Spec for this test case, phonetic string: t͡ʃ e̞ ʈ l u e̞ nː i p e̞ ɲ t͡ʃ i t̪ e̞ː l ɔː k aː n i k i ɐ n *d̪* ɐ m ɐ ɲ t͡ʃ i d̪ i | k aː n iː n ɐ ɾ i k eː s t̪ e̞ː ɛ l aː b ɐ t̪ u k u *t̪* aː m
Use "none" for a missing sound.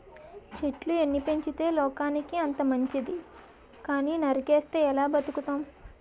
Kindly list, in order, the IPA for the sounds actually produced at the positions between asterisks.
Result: t̪, t̪

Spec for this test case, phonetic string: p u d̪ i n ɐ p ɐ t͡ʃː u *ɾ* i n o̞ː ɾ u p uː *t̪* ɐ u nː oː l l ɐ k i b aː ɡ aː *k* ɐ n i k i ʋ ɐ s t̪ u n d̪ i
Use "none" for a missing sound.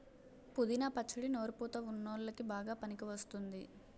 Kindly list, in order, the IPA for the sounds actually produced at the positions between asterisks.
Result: ɽ, t̪, p

